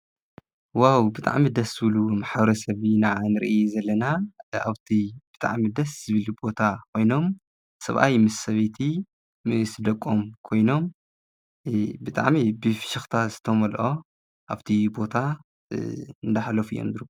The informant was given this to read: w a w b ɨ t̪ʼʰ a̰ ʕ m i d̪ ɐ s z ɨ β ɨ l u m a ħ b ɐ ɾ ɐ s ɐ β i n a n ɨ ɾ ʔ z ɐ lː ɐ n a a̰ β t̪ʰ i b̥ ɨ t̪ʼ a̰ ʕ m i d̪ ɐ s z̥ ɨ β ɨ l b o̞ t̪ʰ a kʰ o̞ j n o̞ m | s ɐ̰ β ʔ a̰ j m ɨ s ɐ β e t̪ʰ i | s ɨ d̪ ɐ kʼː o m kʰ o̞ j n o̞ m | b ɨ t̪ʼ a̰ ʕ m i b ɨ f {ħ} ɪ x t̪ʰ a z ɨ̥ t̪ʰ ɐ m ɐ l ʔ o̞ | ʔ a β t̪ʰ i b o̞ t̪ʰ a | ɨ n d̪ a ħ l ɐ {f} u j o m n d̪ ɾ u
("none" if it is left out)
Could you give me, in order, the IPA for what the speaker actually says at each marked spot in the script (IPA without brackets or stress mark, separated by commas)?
ʃ, f